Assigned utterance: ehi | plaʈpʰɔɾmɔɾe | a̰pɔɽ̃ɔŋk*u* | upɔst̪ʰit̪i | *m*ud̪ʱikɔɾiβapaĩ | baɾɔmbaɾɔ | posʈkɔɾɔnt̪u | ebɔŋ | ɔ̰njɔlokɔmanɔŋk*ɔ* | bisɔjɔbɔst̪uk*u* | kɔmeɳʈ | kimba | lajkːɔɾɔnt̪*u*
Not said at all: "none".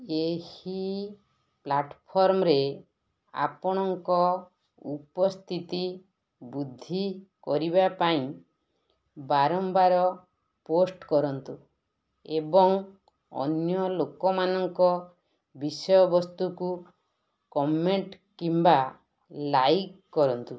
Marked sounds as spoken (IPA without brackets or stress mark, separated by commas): ɔ, b, ɔ, u, u